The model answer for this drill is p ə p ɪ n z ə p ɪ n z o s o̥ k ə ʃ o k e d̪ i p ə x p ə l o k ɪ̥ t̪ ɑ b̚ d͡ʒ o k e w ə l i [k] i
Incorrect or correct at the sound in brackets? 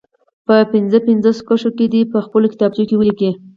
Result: correct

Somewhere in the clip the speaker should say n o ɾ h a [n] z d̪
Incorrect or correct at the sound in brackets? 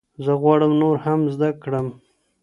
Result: incorrect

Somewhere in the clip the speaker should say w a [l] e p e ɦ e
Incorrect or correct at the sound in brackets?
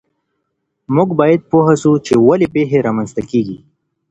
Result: correct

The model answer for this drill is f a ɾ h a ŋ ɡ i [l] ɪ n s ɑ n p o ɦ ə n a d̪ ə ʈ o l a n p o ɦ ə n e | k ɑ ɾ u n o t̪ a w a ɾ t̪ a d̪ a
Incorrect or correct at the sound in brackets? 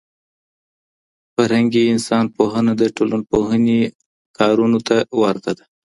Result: incorrect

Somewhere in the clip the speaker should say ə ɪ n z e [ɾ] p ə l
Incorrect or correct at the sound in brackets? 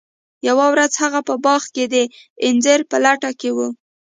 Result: correct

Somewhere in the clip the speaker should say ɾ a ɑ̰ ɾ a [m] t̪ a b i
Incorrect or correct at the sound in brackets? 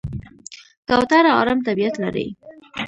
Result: correct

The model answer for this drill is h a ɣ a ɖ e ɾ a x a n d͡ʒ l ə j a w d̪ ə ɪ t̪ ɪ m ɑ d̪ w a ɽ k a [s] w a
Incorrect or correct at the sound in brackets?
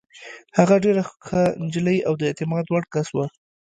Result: correct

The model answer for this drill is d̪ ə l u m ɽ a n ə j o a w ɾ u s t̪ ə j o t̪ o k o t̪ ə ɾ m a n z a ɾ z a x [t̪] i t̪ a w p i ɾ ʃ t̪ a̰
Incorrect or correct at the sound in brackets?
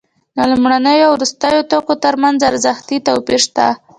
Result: correct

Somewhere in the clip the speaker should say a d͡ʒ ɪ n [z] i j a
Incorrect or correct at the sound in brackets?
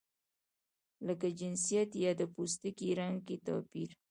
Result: incorrect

